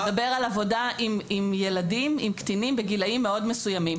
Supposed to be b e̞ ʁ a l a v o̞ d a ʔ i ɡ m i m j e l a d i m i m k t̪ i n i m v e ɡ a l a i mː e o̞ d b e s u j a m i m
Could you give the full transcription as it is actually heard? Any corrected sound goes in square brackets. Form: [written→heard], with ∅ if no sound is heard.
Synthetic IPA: b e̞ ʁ a l a v o̞ d a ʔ i [ɡ→∅] m i m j e l a d i m i m k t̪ i n i m [v→b] e ɡ [a→i] l a i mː e o̞ d [b→m] e s u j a m i m